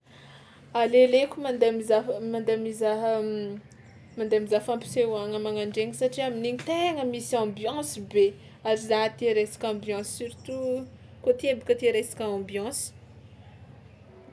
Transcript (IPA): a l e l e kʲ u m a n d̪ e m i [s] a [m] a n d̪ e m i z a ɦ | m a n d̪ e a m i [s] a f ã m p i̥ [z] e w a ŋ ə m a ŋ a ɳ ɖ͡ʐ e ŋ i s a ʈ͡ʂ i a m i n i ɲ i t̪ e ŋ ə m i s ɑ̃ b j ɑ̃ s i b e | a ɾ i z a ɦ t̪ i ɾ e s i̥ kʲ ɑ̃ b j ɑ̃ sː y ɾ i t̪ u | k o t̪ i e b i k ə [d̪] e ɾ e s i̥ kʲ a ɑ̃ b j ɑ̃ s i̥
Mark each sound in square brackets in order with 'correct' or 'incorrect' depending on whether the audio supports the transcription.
incorrect, correct, incorrect, incorrect, incorrect

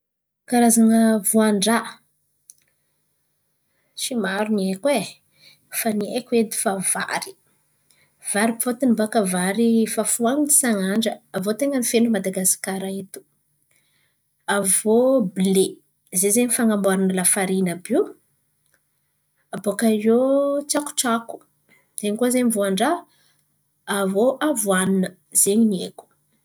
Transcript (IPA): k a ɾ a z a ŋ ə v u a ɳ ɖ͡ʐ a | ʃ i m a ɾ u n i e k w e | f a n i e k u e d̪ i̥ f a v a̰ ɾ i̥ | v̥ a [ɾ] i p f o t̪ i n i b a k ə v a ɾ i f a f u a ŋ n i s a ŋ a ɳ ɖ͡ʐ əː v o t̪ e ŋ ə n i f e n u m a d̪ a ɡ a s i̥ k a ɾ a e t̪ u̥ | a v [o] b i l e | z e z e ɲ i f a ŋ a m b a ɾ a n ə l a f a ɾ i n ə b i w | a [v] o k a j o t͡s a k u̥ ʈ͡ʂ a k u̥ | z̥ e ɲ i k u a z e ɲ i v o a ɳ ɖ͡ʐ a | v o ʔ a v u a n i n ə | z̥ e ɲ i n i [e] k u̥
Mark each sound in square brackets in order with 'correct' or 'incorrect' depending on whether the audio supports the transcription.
correct, correct, incorrect, correct

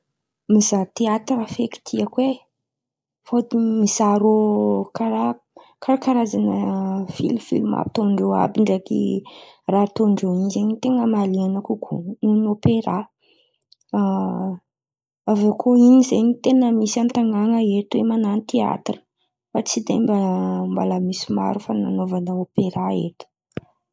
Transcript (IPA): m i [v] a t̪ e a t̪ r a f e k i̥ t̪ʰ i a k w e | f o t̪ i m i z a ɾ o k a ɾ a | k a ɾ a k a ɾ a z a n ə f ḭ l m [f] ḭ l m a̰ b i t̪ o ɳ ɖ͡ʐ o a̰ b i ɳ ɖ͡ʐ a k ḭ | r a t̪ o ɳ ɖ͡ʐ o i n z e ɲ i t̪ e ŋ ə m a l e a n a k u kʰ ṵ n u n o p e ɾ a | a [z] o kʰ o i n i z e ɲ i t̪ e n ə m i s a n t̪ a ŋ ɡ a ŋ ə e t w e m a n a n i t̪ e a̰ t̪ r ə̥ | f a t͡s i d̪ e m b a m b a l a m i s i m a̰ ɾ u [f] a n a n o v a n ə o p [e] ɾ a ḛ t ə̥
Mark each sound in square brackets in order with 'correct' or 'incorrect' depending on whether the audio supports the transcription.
incorrect, correct, incorrect, correct, correct

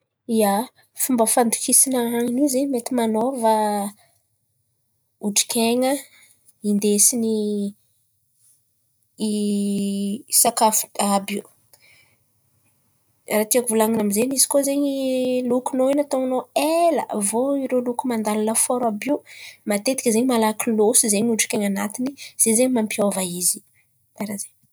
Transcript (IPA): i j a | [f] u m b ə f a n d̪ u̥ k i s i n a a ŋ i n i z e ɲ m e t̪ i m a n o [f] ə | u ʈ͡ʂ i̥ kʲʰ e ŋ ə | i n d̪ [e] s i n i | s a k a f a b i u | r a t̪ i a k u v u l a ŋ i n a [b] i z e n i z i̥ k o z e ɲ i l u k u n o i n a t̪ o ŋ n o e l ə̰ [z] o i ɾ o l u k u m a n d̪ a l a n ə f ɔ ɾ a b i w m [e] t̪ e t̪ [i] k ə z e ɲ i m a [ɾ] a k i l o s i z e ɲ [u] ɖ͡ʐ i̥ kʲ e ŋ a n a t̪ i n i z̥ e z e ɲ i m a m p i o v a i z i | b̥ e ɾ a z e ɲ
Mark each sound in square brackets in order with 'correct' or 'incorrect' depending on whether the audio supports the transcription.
correct, incorrect, correct, incorrect, incorrect, incorrect, correct, incorrect, correct

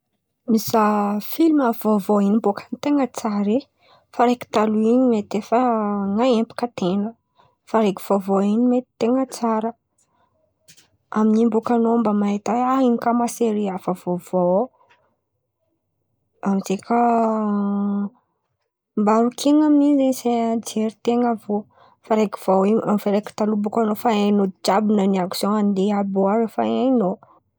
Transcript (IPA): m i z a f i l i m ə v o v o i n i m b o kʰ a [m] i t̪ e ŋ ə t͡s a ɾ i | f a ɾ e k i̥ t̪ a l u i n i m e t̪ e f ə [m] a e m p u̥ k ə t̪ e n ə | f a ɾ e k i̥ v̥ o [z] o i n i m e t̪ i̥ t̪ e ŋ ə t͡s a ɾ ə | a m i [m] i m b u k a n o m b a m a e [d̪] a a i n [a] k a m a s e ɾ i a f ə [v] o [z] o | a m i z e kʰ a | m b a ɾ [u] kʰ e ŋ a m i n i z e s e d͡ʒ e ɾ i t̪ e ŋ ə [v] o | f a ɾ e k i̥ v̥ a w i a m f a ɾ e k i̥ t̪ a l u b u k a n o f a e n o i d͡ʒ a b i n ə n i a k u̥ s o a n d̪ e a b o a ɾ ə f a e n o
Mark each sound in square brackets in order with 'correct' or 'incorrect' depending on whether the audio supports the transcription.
incorrect, incorrect, incorrect, incorrect, incorrect, incorrect, correct, incorrect, correct, correct

